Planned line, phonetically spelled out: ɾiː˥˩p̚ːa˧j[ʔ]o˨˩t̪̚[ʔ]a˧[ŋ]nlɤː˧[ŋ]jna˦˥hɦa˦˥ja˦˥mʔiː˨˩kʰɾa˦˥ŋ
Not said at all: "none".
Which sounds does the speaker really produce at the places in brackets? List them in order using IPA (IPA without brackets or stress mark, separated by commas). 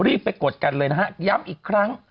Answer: k, k, none, none